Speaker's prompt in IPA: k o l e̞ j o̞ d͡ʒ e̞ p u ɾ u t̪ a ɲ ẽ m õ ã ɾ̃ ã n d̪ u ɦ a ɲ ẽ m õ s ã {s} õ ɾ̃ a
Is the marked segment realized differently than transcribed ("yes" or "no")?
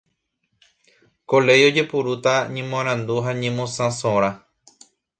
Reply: no